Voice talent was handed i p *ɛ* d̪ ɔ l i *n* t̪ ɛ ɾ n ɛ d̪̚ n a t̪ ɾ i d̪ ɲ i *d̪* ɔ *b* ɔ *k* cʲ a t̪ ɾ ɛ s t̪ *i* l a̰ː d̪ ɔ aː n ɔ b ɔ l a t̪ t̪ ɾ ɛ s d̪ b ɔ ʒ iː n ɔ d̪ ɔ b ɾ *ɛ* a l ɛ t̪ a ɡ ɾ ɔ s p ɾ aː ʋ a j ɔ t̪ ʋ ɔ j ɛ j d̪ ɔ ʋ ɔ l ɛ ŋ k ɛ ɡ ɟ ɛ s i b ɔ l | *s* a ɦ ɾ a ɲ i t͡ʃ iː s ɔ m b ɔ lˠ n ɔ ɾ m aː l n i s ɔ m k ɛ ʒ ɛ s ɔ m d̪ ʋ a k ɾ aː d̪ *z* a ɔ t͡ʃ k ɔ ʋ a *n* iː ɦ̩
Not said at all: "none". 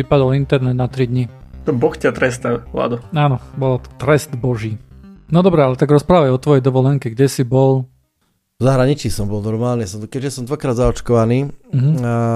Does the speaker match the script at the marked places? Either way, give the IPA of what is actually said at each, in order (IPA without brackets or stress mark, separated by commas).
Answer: a, n, t̪, b, x, a, ɛ, z, z, n